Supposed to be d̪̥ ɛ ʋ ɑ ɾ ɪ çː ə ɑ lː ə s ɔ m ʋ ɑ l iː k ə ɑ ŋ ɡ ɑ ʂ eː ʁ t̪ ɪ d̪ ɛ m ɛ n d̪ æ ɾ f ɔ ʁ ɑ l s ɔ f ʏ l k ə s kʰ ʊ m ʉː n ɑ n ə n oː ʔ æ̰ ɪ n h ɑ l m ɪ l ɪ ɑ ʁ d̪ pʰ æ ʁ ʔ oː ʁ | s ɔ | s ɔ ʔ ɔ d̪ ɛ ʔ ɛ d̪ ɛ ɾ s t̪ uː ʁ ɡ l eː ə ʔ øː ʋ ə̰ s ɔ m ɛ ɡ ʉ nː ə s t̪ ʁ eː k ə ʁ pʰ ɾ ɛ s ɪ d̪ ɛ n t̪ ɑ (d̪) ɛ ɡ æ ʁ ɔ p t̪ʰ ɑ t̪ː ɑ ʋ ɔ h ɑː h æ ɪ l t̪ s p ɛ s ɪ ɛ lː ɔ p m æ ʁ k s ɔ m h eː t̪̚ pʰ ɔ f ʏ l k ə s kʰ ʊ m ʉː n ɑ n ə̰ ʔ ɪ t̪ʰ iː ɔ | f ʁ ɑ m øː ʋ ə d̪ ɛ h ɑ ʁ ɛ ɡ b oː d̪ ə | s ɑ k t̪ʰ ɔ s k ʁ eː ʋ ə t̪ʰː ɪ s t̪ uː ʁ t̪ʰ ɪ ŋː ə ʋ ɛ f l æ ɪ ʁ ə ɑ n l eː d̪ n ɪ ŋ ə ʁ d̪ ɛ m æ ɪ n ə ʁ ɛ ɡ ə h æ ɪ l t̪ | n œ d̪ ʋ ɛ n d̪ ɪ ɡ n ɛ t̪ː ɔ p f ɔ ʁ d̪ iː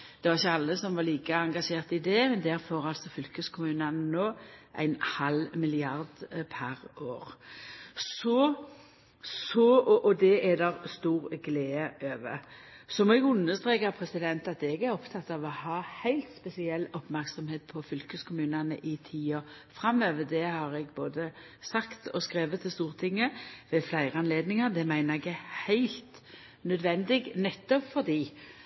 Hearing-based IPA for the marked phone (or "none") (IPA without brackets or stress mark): t̪